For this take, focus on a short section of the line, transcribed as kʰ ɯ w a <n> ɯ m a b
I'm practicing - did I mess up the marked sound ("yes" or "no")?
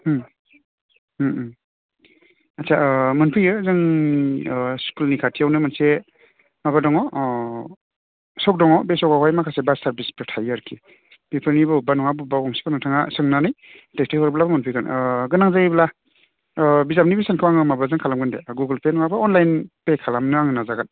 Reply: yes